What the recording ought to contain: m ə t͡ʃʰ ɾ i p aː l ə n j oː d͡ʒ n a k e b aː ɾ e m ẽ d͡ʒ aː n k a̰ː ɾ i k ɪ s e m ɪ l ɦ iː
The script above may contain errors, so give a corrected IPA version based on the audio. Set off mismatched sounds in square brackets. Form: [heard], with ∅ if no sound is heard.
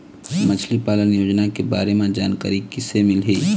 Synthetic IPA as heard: m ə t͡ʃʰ [l] i p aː l ə n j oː d͡ʒ n a k e b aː ɾ e m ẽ d͡ʒ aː n k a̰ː ɾ i k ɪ s e m ɪ l ɦ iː

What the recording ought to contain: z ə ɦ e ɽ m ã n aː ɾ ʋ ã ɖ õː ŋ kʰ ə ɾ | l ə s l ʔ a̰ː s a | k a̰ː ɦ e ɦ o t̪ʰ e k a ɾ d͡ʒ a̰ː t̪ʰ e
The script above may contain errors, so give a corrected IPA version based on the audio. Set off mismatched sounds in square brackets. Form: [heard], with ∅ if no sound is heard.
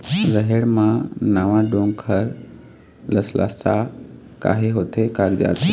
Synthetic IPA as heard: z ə ɦ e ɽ m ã n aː [∅] ʋ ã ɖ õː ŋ kʰ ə ɾ | l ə s l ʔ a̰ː s a | k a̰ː ɦ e ɦ o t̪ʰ e k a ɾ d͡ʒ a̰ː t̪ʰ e

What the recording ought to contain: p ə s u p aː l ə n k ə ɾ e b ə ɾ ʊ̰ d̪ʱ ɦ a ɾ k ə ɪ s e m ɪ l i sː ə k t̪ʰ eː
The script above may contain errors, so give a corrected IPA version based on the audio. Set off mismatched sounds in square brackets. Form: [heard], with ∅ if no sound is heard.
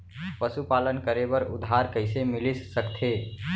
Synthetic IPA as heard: p ə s u p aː l ə n k ə ɾ e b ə ɾ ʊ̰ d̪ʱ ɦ a ɾ k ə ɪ s e m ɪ l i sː ə k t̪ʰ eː

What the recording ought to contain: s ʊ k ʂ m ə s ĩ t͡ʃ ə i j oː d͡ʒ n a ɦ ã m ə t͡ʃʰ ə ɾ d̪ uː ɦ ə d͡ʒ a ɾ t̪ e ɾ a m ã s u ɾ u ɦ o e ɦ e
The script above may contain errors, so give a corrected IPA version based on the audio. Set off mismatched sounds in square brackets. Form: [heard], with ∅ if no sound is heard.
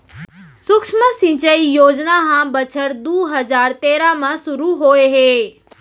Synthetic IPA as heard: s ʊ k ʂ m ə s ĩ t͡ʃ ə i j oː d͡ʒ n a ɦ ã [b] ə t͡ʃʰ ə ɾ d̪ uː ɦ ə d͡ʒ a ɾ t̪ e ɾ a m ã s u ɾ u ɦ o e ɦ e

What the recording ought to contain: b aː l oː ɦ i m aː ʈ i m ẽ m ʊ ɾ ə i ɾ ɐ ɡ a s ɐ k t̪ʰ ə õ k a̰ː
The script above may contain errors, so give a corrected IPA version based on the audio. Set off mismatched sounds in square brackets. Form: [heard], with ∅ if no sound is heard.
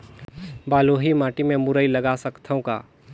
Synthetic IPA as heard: b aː l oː ɦ i m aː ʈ i m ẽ m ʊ ɾ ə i [l] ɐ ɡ a s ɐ k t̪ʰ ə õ k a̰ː

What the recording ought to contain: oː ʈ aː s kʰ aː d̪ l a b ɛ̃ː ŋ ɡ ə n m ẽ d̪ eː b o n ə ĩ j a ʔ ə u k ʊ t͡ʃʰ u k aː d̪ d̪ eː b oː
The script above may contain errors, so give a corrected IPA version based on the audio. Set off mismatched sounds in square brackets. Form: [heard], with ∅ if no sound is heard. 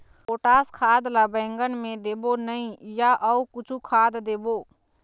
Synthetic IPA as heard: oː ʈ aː s kʰ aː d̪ l a b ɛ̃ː ŋ ɡ ə n m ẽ d̪ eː b o n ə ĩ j a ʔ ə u k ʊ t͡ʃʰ u [kʰ] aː d̪ d̪ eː b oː

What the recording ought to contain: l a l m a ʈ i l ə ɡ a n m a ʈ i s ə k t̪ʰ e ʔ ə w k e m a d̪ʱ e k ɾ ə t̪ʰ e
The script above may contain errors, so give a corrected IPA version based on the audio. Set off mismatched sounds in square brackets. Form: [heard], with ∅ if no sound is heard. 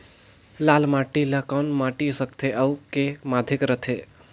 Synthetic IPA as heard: l a l m a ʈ i l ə [k] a n m a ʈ i s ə k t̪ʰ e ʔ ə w k e m a d̪ʱ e k ɾ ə t̪ʰ e

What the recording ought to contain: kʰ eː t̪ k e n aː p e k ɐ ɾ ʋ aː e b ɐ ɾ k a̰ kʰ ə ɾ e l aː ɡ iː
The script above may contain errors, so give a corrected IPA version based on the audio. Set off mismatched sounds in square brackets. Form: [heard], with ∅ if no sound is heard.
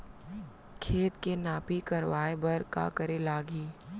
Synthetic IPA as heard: kʰ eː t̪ k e n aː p [i] k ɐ ɾ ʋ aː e b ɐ ɾ k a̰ [k] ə ɾ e l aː ɡ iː

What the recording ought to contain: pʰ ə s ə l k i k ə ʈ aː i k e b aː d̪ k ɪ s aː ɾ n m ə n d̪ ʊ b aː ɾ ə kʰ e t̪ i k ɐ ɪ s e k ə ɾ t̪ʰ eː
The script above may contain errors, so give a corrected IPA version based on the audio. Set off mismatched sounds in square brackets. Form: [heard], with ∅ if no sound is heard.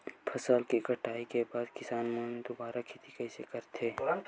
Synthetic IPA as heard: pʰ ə s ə l k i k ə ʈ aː i k e b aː d̪ k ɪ s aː [∅] n m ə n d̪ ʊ b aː ɾ [a] kʰ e t̪ i k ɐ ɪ s e k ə ɾ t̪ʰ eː

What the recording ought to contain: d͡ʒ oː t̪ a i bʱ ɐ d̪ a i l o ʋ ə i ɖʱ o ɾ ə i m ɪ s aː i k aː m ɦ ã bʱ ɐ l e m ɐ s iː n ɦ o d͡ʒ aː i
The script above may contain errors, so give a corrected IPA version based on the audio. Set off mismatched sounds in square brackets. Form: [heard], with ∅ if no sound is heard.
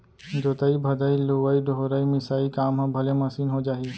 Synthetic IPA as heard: d͡ʒ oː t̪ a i bʱ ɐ d̪ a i l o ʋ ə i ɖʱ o ɾ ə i m ɪ s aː i k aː m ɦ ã bʱ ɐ l e m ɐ s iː n ɦ o d͡ʒ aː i

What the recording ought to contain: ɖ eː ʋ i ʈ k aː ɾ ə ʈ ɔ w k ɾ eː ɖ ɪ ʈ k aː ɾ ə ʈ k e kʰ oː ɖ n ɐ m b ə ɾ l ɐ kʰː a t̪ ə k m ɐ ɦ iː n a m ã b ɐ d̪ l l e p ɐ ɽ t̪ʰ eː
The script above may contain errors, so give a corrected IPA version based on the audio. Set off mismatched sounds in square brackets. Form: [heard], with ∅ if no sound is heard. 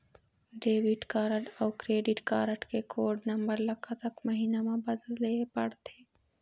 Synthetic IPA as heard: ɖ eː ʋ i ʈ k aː ɾ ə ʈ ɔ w k ɾ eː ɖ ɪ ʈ k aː ɾ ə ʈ k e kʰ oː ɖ n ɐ m b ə ɾ l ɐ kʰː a t̪ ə k m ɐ ɦ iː n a m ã b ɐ d̪ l l e p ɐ ɽ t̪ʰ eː

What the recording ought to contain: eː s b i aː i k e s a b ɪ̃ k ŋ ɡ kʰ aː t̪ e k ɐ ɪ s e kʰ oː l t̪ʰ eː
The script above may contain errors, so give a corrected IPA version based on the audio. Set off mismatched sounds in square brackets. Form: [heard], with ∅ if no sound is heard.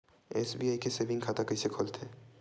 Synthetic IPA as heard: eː s b i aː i k e s [e] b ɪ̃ [∅] ŋ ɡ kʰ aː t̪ [a] k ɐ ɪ s e kʰ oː l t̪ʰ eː

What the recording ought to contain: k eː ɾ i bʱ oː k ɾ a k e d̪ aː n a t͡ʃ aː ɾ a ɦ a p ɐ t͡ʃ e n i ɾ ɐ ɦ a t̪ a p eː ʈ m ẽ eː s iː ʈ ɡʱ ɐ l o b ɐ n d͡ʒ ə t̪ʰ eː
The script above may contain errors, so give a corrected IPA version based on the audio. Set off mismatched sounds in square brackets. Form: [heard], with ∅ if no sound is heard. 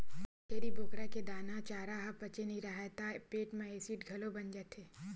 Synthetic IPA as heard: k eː ɾ i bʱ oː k ɾ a k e d̪ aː n a t͡ʃ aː ɾ a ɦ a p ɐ t͡ʃ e n i ɾ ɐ ɦ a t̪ a p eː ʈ m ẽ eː s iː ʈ ɡʱ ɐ l o b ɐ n d͡ʒ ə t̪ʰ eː

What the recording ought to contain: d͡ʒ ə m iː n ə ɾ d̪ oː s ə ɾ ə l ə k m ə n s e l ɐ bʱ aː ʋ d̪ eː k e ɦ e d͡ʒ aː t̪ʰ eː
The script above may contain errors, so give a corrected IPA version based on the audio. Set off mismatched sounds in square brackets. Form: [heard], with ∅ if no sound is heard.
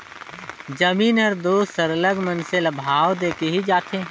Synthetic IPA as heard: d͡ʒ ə m iː n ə ɾ d̪ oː s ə ɾ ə l ə [ɡ] m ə n s e l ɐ bʱ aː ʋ d̪ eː k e ɦ [i] d͡ʒ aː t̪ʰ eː

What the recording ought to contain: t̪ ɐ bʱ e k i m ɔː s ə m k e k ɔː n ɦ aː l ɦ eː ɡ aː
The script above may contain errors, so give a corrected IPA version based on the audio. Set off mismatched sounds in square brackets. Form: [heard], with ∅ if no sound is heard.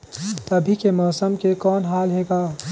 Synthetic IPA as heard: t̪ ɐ bʱ [i] k [e] m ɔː s ə m k e k ɔː n ɦ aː l ɦ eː ɡ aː

